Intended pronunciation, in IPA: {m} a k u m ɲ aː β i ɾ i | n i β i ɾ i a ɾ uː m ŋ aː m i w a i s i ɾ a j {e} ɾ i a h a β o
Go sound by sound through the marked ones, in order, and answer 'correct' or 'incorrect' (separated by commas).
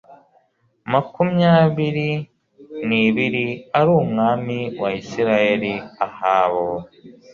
correct, correct